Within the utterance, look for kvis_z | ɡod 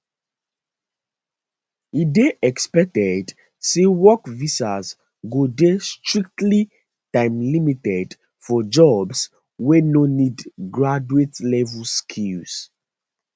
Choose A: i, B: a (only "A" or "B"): B